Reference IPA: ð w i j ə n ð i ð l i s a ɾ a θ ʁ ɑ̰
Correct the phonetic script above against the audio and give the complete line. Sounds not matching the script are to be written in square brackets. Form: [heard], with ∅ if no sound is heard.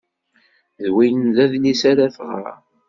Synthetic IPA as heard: ð w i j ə n ð [æ] ð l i s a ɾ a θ ʁ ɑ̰